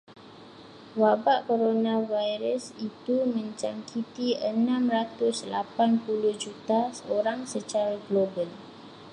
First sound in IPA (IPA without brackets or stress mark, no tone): w